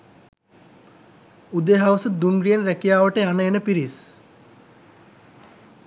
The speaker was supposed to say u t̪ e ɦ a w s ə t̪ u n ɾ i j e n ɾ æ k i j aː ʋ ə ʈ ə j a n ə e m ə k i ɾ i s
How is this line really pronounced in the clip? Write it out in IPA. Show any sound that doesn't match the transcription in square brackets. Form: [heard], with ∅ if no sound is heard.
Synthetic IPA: u [d̪] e ɦ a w s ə [d̪] u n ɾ i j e n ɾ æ k i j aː ʋ ə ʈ ə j a n ə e [n] ə [p] i ɾ i s